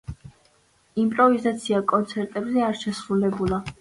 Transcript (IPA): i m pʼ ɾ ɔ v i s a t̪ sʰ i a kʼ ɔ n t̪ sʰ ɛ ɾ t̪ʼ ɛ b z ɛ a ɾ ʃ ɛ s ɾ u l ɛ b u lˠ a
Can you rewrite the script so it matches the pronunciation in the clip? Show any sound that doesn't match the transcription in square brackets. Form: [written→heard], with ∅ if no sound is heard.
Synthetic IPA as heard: i m pʼ ɾ ɔ v i [s→z] a t̪ sʰ i a kʼ ɔ n t̪ sʰ ɛ ɾ t̪ʼ ɛ b z ɛ a ɾ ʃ ɛ s ɾ u l ɛ b u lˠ a